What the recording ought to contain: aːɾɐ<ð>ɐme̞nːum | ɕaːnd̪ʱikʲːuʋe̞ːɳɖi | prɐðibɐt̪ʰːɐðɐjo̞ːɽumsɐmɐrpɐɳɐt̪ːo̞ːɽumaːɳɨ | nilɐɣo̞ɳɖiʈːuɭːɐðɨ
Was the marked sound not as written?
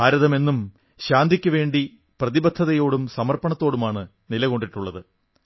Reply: no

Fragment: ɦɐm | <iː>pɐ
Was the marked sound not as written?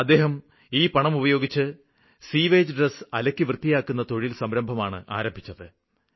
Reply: no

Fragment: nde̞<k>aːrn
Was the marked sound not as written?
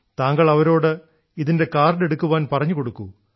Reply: no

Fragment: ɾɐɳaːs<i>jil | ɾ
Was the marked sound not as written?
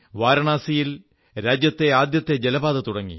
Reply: no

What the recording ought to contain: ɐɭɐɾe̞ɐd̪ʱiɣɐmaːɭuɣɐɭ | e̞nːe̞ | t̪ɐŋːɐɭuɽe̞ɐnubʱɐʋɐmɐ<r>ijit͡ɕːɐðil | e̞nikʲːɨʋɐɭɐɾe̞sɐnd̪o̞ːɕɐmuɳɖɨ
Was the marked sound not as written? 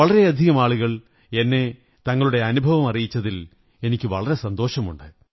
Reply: no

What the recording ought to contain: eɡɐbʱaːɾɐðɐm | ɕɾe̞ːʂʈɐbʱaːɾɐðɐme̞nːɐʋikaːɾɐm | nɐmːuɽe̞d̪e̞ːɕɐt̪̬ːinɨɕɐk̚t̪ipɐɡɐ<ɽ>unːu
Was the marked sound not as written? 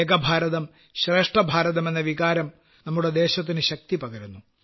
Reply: yes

